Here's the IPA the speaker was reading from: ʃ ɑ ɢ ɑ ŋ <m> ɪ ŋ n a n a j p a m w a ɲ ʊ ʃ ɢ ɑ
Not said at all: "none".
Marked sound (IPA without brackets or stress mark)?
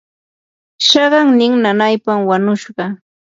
n